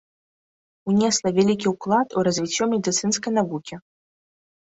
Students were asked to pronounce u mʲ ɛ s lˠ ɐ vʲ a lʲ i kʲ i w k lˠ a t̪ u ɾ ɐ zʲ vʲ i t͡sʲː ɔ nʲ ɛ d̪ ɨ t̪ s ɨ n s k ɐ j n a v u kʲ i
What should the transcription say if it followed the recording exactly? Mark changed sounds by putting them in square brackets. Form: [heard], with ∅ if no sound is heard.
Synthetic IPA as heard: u [nʲ] ɛ s lˠ ɐ vʲ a lʲ i kʲ i w k lˠ a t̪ u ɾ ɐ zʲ vʲ i t͡sʲː ɔ [mʲ] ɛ d̪ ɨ t̪ s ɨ n s k ɐ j n a v u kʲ i